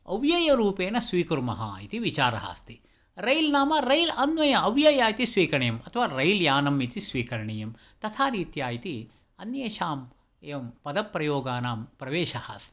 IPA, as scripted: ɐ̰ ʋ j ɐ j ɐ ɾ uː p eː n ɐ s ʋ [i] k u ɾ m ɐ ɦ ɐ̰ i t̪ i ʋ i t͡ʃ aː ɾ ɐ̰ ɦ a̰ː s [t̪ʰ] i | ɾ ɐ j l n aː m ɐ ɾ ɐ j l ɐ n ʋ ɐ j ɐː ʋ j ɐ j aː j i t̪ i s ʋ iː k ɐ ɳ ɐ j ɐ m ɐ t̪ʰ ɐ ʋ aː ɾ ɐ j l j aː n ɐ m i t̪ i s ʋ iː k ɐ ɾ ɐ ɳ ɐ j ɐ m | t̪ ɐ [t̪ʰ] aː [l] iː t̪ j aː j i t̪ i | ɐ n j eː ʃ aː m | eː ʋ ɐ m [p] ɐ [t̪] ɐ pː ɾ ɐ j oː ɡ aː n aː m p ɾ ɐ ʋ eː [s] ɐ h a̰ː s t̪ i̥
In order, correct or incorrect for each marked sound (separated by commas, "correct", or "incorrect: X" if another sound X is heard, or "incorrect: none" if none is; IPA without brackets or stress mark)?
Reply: incorrect: iː, incorrect: t̪, correct, incorrect: ɾ, correct, incorrect: d̪, incorrect: ʃ